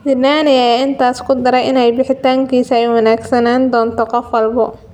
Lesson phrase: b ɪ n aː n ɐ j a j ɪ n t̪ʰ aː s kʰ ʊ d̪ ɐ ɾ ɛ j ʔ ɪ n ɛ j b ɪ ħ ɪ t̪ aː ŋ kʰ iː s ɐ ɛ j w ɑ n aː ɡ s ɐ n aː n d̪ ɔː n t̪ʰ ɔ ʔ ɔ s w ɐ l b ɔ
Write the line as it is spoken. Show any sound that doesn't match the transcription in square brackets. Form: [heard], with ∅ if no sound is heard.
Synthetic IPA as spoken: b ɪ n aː n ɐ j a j ɪ n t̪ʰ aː s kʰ ʊ d̪ ɐ ɾ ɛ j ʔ ɪ n ɛ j b ɪ ħ ɪ t̪ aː ŋ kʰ iː s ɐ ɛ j w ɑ n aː ɡ s ɐ n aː n d̪ ɔː n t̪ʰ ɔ [q] ɔ [f] w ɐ l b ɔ

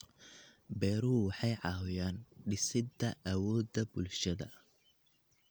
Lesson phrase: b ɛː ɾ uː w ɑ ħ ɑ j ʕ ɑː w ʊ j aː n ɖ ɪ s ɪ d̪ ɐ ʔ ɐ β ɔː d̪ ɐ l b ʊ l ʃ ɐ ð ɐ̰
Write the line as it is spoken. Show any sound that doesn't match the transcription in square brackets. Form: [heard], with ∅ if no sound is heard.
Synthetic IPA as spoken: b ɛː ɾ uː w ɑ ħ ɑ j ʕ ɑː w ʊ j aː n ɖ ɪ s ɪ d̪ ɐ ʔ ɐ [w] ɔː d̪ ɐ [∅] b ʊ l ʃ ɐ ð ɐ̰

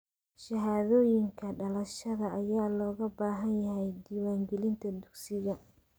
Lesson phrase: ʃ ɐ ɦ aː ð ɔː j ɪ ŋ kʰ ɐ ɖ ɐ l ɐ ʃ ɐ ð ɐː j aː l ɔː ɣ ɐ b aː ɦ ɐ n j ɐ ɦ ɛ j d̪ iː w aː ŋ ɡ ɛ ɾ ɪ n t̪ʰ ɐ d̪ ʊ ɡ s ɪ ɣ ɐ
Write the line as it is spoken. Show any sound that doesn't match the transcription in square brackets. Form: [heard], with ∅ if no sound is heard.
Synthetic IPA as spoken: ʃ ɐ ɦ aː ð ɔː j ɪ ŋ kʰ ɐ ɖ ɐ l ɐ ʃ ɐ ð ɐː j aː l ɔː ɣ ɐ b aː ɦ ɐ n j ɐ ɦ ɛ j d̪ iː w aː ŋ ɡ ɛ [l] ɪ n t̪ʰ ɐ d̪ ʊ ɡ s ɪ ɣ ɐ

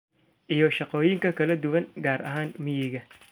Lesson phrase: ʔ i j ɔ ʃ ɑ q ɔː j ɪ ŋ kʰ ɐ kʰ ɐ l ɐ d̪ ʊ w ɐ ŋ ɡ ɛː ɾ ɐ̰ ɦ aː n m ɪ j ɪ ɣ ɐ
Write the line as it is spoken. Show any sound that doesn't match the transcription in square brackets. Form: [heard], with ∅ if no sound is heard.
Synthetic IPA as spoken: ʔ i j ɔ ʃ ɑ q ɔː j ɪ ŋ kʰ ɐ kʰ ɐ l ɐ d̪ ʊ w ɐ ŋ ɡ [aː] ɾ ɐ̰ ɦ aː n m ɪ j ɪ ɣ ɐ

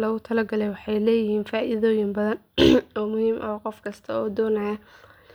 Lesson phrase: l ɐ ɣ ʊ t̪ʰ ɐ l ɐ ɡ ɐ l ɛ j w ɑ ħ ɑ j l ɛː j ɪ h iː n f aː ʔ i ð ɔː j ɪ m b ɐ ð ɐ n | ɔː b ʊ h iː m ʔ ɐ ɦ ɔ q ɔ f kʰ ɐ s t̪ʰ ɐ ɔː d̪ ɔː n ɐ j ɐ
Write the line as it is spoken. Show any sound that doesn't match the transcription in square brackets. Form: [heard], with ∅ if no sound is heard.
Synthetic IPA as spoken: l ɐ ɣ ʊ t̪ʰ ɐ l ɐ ɡ ɐ l ɛ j w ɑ ħ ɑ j l ɛː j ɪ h iː n f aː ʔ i ð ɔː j ɪ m b ɐ ð ɐ n | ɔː [m] ʊ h iː m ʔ ɐ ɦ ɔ q ɔ f kʰ ɐ s t̪ʰ ɐ ɔː d̪ ɔː n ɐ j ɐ

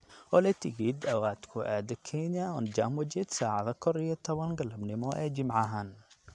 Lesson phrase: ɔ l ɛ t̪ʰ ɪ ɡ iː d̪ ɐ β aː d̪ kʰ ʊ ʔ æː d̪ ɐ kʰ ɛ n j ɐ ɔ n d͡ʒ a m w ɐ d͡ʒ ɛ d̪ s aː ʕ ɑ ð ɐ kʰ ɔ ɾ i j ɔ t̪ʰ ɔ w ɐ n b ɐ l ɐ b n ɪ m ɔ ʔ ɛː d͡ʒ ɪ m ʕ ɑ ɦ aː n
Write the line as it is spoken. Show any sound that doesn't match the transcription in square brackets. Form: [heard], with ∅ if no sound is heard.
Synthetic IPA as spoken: ɔ l ɛ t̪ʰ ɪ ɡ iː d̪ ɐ [w] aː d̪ kʰ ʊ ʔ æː d̪ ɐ kʰ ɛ n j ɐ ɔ n d͡ʒ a m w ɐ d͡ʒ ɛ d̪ s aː ʕ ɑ ð ɐ kʰ ɔ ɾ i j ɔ t̪ʰ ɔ [β] ɐ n [ɡ] ɐ l ɐ b n ɪ m ɔ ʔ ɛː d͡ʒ ɪ m ʕ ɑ ɦ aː n

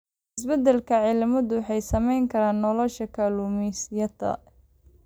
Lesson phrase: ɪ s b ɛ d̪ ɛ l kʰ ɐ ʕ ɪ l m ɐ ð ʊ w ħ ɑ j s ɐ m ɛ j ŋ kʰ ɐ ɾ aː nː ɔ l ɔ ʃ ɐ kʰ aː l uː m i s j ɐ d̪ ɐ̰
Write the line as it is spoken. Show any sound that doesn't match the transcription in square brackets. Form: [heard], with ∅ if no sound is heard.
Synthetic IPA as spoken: ɪ s b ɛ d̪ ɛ l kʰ ɐ ʕ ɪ l m ɐ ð ʊ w ħ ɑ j s ɐ m ɛ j ŋ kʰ ɐ ɾ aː nː ɔ l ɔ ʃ ɐ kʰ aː l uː m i s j ɐ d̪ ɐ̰

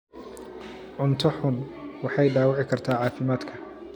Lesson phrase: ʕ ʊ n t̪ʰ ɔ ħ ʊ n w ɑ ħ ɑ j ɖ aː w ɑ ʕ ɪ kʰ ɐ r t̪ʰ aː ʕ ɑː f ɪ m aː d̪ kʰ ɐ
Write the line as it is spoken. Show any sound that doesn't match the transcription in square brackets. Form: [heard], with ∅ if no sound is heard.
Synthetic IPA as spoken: ʕ ʊ n t̪ʰ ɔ ħ ʊ n w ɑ ħ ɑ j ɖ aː w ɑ ʕ ɪ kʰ ɐ r t̪ʰ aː ʕ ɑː f ɪ m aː d̪ kʰ ɐ

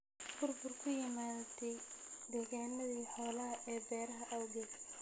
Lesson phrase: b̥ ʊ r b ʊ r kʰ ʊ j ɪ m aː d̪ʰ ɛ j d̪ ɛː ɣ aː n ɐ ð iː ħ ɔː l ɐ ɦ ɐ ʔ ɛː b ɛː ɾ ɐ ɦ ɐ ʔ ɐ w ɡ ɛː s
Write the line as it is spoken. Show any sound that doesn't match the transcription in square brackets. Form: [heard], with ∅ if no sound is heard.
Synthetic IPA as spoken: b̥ ʊ r b ʊ r kʰ ʊ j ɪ m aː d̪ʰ ɛ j d̪ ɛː ɣ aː n ɐ ð iː ħ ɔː l ɐ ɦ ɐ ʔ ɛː b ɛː ɾ ɐ ɦ ɐ ʔ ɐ w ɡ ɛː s

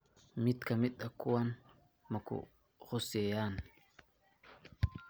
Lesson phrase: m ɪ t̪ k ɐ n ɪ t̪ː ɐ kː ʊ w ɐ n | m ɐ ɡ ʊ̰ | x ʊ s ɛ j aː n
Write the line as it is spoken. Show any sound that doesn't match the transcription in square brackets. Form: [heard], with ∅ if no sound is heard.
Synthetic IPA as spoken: m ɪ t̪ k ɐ [m] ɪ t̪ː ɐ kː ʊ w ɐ n | m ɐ [k] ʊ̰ | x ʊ s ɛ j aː n

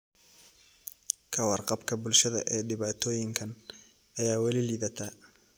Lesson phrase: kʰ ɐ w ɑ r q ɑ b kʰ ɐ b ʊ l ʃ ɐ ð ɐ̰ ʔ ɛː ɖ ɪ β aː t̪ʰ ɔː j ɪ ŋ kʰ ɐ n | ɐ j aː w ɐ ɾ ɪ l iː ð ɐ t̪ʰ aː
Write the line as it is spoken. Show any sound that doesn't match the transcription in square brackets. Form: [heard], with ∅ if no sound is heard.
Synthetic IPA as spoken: kʰ ɐ w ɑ r q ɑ b kʰ ɐ b ʊ l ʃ ɐ ð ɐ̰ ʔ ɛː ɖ ɪ β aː t̪ʰ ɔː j ɪ ŋ kʰ ɐ n | ɐ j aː w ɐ [l] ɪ l iː ð ɐ t̪ʰ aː

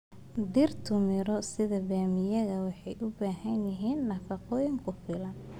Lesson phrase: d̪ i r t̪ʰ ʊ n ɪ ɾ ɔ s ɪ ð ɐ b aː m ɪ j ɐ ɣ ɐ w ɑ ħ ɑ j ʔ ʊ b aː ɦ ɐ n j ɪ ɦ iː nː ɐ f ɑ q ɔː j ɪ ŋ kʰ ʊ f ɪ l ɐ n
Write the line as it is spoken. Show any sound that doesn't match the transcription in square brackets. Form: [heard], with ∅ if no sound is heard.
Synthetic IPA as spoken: d̪ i r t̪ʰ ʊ [m] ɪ ɾ ɔ s ɪ ð ɐ b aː m ɪ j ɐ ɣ ɐ w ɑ ħ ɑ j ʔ ʊ b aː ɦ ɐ n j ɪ ɦ iː nː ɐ f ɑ q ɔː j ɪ ŋ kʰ ʊ f ɪ l ɐ n

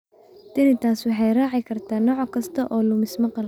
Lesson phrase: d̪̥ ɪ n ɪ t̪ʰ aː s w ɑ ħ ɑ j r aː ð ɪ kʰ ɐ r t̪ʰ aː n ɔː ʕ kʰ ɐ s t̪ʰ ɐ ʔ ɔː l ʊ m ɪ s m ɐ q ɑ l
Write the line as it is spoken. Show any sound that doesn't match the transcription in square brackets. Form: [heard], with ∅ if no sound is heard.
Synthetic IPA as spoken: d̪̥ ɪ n ɪ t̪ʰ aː s w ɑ ħ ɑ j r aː [ʕ] ɪ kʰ ɐ r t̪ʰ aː n ɔː ʕ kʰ ɐ s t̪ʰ ɐ ʔ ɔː l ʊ m ɪ s m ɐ q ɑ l

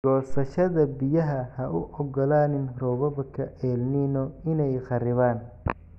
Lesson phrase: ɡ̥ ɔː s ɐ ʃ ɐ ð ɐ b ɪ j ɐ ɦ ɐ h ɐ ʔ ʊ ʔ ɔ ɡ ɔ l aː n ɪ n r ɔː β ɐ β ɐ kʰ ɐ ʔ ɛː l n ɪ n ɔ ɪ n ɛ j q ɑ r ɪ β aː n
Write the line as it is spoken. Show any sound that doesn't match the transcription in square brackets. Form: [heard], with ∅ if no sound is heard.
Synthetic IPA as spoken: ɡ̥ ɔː s ɐ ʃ ɐ ð ɐ b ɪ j ɐ ɦ ɐ h ɐ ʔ ʊ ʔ ɔ ɡ ɔ l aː n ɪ n r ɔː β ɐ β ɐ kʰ ɐ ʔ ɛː l n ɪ n ɔ ɪ n ɛ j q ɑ r ɪ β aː n

